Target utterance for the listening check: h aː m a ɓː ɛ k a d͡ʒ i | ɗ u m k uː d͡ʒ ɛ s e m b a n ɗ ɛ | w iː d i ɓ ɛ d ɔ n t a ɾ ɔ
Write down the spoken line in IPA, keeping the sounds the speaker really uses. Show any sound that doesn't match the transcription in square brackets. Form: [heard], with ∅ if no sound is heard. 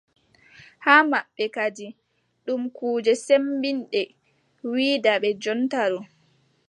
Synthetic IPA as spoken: h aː m a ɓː ɛ k a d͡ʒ i | ɗ u m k uː d͡ʒ ɛ s e m b [i] n ɗ ɛ | w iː d [a] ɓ ɛ [d͡ʒ] ɔ n t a ɾ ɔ